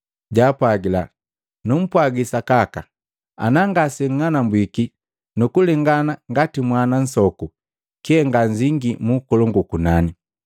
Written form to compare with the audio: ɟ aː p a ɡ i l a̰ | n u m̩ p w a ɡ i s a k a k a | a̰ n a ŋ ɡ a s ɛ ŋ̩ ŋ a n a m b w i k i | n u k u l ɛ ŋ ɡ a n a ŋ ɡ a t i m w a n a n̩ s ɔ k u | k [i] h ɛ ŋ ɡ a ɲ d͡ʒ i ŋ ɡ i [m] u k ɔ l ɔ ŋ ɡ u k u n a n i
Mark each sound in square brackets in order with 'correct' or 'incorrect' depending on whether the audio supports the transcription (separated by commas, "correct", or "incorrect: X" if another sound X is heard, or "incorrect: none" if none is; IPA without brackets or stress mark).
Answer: correct, correct